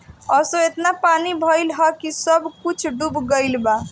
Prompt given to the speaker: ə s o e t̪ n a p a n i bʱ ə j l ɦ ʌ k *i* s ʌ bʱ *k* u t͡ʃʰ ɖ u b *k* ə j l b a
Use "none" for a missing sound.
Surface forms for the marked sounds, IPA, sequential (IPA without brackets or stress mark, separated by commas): i, k, ɡ